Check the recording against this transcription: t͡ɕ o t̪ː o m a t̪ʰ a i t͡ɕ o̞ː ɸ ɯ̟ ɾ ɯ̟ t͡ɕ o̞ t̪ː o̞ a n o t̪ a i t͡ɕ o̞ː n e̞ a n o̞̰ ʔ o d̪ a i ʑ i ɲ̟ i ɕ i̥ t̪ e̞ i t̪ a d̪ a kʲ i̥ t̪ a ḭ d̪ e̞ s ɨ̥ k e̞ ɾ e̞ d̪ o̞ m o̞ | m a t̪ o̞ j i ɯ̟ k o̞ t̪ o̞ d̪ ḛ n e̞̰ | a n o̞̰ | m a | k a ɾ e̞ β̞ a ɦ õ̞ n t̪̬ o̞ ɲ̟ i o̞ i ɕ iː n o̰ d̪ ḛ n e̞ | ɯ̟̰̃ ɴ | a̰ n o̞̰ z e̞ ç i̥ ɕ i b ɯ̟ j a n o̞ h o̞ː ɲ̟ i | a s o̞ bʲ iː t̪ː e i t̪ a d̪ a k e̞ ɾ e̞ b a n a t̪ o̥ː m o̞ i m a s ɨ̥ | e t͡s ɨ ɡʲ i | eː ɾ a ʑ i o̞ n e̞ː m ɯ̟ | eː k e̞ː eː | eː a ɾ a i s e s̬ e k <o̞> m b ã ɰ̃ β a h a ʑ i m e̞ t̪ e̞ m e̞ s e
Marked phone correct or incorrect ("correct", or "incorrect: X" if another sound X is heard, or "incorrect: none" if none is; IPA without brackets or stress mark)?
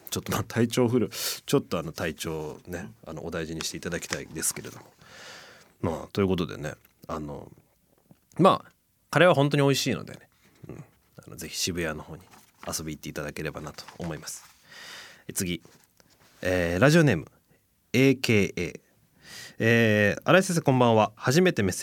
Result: incorrect: õ̞